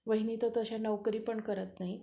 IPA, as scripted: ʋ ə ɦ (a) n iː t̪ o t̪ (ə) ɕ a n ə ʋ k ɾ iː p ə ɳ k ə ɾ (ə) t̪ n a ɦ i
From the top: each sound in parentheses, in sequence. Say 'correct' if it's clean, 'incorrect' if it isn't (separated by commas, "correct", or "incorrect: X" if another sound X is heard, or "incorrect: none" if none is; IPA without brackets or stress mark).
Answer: incorrect: i, correct, correct